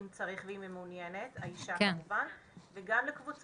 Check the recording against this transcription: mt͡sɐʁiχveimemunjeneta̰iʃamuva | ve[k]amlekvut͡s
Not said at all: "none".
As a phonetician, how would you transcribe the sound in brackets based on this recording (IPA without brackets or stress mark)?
ɡ